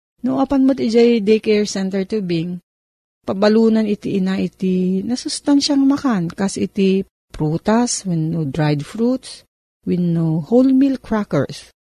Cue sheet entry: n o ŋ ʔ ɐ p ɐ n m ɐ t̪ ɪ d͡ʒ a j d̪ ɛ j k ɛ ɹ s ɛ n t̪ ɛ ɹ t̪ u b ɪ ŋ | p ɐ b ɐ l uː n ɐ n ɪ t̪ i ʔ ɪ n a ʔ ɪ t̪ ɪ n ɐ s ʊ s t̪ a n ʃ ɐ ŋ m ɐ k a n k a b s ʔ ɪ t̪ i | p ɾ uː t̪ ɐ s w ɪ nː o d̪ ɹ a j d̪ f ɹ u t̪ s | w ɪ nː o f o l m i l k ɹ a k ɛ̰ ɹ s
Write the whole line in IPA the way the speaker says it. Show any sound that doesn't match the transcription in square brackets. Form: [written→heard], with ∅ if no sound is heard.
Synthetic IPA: n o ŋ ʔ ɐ p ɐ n m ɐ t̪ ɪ d͡ʒ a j d̪ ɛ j k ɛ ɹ s ɛ n t̪ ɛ ɹ t̪ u b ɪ ŋ | p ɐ b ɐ l uː n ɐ n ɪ t̪ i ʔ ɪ n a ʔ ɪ t̪ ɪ n ɐ s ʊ s t̪ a n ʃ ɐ ŋ m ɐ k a n k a [b→∅] s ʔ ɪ t̪ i | p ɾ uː t̪ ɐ s w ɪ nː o d̪ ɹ a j d̪ f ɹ u t̪ s | w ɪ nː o [f→h] o l m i l k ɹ a k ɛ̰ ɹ s